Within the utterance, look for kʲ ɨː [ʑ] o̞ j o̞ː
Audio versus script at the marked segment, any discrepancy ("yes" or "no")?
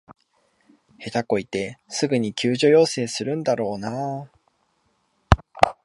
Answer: no